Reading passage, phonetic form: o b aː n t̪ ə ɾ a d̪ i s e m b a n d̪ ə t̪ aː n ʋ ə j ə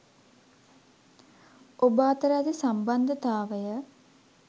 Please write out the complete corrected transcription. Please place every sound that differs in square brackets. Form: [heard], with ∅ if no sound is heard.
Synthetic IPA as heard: o b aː [∅] t̪ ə ɾ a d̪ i s [a] m b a n d̪ ə t̪ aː [∅] ʋ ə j ə